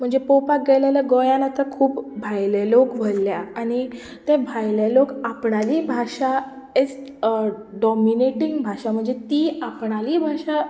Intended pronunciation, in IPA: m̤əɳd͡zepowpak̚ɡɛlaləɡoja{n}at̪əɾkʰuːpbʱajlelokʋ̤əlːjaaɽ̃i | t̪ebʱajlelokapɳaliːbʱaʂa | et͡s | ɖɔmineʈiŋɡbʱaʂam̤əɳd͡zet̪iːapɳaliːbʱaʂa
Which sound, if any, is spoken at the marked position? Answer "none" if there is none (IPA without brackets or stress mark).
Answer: n